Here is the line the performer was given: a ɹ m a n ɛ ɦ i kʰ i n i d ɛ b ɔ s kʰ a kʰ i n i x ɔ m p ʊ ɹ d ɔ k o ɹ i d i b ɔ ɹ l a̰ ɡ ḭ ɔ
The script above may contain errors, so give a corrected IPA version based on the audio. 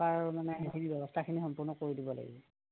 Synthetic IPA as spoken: a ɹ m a n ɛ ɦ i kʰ i n i b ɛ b ɔ s tʰ a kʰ i n i x ɔ m p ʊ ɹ n ɔ k o ɹ i d i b ɔ l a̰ ɡ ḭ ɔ